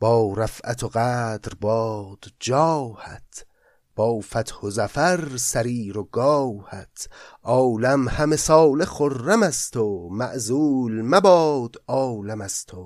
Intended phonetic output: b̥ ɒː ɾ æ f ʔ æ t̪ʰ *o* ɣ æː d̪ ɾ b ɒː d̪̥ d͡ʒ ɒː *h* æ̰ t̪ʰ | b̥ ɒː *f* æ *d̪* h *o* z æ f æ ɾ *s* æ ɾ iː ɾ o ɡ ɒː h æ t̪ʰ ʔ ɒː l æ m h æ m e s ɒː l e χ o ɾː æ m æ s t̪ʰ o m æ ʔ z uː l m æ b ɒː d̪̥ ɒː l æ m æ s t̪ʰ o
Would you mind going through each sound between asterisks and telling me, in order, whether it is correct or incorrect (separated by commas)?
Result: correct, correct, correct, incorrect, correct, correct